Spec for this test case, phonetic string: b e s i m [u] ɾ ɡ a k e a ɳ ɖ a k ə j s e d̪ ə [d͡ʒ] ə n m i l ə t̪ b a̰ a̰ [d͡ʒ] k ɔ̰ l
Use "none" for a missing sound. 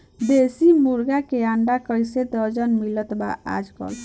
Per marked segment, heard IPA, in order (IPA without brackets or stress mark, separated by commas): u, d͡ʒ, d͡ʒ